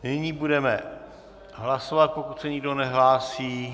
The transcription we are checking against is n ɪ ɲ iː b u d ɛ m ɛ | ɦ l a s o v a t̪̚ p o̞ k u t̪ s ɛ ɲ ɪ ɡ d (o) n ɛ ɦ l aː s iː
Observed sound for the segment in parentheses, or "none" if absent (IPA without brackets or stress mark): o